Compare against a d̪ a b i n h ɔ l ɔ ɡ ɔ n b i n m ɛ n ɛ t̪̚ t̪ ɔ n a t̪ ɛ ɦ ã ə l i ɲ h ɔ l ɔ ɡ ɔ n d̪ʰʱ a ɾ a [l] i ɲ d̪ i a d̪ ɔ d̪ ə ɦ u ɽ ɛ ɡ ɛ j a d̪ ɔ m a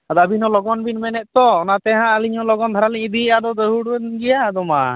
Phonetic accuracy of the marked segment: correct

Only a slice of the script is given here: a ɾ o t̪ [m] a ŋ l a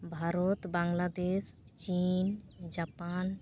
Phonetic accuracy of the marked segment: incorrect: b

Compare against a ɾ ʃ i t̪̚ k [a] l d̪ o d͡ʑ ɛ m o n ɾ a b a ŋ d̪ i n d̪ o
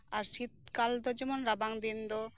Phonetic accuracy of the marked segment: correct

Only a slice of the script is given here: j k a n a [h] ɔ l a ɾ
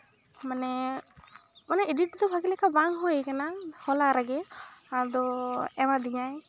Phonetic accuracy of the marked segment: correct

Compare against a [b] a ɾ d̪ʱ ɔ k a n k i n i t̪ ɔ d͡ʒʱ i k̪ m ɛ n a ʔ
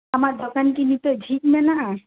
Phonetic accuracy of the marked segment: incorrect: m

